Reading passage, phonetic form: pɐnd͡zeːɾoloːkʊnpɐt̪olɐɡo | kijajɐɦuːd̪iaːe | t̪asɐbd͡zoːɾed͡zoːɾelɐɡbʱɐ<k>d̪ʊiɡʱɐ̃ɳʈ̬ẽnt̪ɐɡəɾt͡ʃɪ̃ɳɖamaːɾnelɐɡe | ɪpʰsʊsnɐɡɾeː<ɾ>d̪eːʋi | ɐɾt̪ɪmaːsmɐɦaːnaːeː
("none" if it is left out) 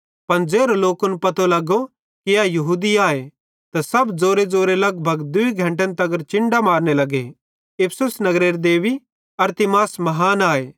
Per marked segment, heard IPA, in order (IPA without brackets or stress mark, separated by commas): ɡ, ɾ